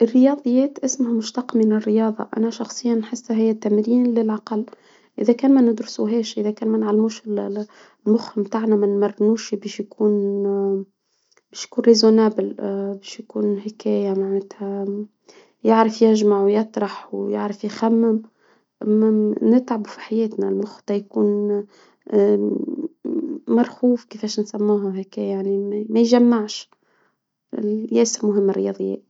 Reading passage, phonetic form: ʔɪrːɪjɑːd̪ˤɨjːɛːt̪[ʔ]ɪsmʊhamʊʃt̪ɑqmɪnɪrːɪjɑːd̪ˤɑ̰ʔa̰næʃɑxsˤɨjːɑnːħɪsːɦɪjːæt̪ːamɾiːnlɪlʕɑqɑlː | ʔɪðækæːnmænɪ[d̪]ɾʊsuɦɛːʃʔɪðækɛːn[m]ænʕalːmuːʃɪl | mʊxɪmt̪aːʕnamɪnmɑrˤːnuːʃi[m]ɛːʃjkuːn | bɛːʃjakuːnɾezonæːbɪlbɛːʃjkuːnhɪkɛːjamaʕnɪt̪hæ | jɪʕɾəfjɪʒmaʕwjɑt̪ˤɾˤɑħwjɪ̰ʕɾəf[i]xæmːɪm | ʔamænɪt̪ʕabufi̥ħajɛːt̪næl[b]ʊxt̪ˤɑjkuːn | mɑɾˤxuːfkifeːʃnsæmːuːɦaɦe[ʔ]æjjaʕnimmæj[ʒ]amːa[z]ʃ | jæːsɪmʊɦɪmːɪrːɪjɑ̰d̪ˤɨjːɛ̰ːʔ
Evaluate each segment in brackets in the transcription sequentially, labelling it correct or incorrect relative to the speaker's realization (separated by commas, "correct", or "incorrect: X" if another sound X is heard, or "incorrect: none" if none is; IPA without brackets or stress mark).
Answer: correct, correct, correct, incorrect: b, incorrect: j, incorrect: m, incorrect: k, correct, incorrect: ʕ